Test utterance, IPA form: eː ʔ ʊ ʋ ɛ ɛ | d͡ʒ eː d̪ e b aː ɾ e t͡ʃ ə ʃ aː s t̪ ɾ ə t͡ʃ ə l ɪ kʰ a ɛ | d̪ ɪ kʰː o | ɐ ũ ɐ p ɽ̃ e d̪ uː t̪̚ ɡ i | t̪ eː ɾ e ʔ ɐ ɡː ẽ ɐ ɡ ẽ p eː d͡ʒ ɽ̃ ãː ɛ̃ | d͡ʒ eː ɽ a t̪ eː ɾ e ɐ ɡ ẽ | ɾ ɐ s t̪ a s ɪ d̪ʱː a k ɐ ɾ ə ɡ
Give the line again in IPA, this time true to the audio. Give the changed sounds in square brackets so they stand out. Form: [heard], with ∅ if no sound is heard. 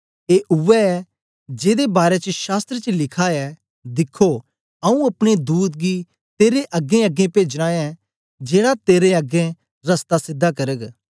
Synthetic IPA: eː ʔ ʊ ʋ ɛ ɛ | d͡ʒ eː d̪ e b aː ɾ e t͡ʃ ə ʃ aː s t̪ ɾ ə t͡ʃ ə l ɪ kʰ a ɛ | d̪ ɪ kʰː o | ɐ ũ ɐ p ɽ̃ e d̪ uː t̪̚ ɡ i | t̪ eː ɾ e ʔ ɐ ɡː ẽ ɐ ɡ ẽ p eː d͡ʒ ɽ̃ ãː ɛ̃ | d͡ʒ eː ɽ a t̪ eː ɾ e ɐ ɡ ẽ | ɾ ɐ s t̪ a s ɪ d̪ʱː a k ɐ ɾ ə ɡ